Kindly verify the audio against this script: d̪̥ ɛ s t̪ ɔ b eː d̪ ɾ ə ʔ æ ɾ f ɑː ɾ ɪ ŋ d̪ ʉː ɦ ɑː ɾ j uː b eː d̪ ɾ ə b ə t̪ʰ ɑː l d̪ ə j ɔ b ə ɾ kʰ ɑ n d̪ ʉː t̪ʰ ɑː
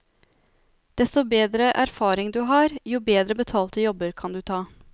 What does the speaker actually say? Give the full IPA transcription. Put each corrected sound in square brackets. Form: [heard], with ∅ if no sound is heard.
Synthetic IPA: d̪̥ ɛ s t̪ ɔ b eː d̪ ɾ ə ʔ æ ɾ f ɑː ɾ ɪ ŋ d̪ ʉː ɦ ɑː ɾ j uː b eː d̪ ɾ ə b ə t̪ʰ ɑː l [t̪] ə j ɔ b ə ɾ kʰ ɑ n d̪ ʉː t̪ʰ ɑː